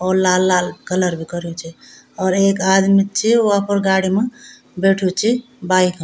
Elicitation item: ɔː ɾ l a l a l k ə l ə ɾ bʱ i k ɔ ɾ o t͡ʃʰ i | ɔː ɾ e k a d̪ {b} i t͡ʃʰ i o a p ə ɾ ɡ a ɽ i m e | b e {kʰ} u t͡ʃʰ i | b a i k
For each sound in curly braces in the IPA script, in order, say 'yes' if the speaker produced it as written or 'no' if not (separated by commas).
no, no